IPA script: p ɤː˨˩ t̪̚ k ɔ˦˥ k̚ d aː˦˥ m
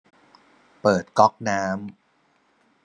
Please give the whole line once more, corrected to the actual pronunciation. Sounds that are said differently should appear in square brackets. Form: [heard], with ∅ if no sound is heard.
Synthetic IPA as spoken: p ɤː˨˩ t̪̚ k ɔ˦˥ k̚ [n] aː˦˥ m